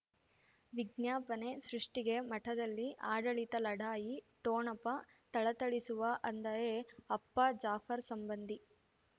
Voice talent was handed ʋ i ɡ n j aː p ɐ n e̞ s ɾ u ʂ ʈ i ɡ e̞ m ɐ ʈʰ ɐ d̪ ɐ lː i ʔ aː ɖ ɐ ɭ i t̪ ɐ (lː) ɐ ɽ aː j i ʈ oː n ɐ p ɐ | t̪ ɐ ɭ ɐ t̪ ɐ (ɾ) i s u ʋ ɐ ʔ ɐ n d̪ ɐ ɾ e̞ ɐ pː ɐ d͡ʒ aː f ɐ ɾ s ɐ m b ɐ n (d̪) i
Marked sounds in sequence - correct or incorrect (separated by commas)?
incorrect, incorrect, correct